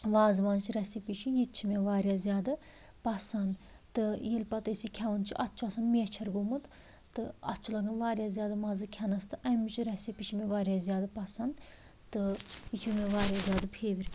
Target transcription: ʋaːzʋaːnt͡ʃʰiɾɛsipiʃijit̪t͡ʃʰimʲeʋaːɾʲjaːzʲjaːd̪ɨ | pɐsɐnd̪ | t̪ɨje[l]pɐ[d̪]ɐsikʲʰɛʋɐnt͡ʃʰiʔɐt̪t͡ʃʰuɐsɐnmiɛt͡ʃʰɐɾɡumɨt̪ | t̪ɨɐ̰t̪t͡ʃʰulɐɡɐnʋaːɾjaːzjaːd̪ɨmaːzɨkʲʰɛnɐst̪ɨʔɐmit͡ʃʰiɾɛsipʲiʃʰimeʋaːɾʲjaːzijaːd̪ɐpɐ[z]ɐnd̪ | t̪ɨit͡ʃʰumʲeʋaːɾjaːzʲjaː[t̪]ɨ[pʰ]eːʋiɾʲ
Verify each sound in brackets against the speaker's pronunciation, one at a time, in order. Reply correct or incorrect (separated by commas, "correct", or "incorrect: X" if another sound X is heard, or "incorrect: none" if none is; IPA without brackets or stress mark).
correct, incorrect: t̪, incorrect: s, incorrect: d̪, correct